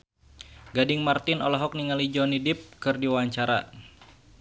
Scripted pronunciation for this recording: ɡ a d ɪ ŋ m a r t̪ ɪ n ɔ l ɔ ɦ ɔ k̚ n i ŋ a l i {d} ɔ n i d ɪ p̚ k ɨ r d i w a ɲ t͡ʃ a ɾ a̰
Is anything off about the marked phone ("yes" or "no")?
yes